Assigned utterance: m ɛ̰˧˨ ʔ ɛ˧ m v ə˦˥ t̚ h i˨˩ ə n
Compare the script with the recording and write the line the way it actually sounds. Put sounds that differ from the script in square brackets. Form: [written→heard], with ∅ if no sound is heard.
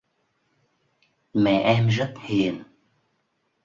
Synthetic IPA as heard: m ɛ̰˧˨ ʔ ɛ˧ m [v→z] ə˦˥ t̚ h i˨˩ ə n